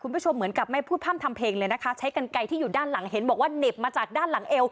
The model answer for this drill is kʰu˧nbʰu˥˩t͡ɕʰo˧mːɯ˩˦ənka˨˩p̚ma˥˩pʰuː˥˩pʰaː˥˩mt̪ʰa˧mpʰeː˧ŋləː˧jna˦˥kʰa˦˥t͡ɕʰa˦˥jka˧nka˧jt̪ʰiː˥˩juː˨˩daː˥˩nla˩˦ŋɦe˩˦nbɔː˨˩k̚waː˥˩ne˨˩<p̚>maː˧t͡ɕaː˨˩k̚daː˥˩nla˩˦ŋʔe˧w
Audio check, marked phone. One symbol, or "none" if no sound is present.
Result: p̚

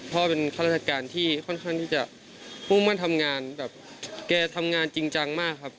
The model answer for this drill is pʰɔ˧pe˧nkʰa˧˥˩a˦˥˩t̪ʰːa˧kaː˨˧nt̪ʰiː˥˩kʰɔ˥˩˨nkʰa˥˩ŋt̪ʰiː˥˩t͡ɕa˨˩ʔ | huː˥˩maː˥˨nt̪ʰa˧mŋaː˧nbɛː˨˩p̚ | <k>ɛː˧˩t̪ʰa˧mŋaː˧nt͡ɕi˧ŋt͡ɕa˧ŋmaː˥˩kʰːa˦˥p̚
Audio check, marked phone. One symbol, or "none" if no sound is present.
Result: k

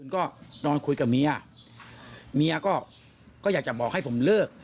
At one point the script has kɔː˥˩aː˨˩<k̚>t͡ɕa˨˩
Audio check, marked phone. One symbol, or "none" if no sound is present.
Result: k̚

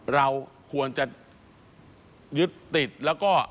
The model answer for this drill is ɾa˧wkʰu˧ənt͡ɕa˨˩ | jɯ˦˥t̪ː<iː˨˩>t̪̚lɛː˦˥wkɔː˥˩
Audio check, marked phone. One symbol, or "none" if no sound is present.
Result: i˨˩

